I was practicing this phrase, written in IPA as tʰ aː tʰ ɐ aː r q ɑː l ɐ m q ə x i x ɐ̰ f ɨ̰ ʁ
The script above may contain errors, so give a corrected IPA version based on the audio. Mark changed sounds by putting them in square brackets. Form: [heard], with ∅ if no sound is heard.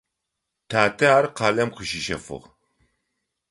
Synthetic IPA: tʰ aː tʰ ɐ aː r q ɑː l ɐ m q ə [ʃ] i [ʃ] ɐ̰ f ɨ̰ ʁ